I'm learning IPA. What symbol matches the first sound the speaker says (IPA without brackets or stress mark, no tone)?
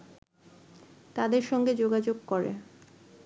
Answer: t̪